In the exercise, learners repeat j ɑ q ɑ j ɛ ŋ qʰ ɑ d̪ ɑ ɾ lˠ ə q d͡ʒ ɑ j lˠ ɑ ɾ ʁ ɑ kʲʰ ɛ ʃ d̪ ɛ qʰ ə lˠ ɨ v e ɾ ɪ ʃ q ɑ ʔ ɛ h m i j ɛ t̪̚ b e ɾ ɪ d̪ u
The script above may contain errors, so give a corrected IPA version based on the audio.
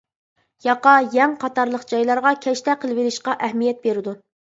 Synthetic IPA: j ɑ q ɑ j ɛ ŋ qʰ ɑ t̪ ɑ ɾ lˠ ə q d͡ʒ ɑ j lˠ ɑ ɾ ʁ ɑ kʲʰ ɛ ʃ t̪ ɛ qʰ ə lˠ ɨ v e ɾ ɪ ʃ q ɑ ʔ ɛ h m i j ɛ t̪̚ b e ɾ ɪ d̪ u